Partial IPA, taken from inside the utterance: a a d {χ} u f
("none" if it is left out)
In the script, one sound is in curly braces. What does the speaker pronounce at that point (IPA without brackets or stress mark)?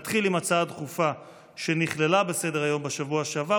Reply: χ